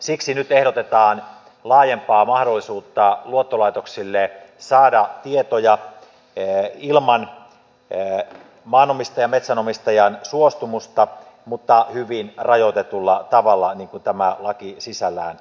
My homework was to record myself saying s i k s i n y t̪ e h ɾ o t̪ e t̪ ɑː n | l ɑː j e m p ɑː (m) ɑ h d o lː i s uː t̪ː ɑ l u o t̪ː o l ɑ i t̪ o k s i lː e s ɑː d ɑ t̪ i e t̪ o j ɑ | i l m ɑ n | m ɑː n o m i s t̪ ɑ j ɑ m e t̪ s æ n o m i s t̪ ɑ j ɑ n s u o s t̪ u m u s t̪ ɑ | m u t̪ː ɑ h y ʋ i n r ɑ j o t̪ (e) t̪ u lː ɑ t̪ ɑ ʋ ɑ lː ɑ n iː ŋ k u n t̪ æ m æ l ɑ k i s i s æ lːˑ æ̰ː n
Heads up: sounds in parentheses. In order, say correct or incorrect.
correct, correct

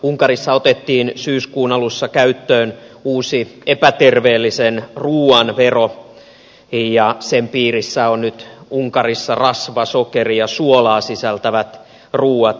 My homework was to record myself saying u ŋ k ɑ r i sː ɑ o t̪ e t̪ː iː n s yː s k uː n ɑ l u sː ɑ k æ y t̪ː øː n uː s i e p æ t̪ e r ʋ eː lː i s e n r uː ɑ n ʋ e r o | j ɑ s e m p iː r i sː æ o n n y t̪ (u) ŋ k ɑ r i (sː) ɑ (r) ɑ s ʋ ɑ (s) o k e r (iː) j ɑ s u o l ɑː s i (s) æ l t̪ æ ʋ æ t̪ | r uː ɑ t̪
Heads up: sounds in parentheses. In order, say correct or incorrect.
correct, correct, correct, correct, incorrect, correct

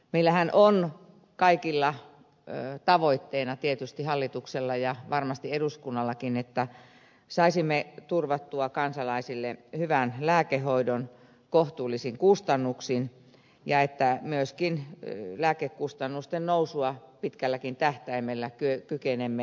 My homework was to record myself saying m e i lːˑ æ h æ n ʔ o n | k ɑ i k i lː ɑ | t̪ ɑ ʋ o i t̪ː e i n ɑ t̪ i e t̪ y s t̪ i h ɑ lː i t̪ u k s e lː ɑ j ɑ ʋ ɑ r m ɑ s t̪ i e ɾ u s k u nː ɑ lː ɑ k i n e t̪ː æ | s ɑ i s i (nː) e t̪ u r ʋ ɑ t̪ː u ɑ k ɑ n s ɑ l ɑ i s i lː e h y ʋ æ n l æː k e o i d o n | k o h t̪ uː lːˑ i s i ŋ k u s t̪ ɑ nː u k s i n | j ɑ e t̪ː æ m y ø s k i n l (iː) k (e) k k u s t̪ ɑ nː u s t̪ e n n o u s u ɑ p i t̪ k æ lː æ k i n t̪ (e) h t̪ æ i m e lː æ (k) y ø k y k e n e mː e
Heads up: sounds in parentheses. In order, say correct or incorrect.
incorrect, incorrect, correct, incorrect, correct

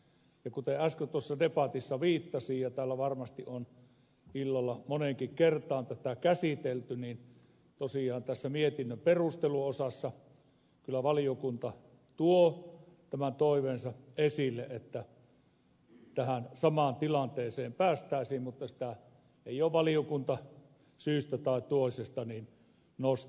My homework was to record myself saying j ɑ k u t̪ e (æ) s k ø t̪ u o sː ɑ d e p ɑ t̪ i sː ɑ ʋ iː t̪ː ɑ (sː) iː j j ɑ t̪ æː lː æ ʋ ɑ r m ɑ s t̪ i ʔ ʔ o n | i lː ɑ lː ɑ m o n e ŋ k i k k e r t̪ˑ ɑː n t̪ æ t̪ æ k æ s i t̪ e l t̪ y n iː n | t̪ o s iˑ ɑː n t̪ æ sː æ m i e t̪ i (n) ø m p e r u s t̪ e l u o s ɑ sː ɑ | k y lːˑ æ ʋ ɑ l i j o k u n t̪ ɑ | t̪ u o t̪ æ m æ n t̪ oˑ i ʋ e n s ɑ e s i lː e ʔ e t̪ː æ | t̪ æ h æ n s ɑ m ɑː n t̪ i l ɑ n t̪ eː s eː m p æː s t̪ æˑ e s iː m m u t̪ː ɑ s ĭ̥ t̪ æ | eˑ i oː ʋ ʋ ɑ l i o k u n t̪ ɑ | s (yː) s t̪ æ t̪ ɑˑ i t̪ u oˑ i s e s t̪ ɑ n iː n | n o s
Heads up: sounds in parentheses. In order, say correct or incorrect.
correct, incorrect, incorrect, correct

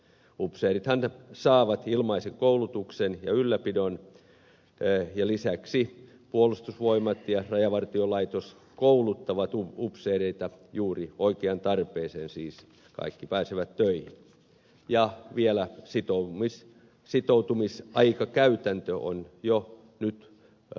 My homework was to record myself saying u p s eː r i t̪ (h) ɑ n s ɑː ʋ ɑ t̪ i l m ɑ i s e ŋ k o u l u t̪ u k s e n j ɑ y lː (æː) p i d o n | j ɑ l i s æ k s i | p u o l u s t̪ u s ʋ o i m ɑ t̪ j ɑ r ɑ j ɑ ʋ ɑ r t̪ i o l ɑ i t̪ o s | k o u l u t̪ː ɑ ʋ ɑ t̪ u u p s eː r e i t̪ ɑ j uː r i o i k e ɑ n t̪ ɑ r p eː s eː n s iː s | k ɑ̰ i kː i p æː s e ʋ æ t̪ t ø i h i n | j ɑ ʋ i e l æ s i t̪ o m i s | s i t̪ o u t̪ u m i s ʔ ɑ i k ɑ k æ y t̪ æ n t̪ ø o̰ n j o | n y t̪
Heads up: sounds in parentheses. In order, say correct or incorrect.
correct, incorrect

